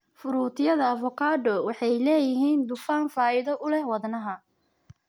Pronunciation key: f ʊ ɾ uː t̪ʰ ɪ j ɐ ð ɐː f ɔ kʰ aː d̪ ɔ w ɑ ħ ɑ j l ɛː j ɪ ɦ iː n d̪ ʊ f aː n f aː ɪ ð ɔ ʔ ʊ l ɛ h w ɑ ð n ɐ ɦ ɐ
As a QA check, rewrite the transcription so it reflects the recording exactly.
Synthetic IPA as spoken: f ʊ ɾ uː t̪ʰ ɪ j ɐ ð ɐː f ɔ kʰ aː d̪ ɔ w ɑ ħ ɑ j l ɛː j ɪ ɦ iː n d̪ ʊ f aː n f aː ɪ ð ɔ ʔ ʊ l ɛ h w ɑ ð n ɐ ɦ ɐ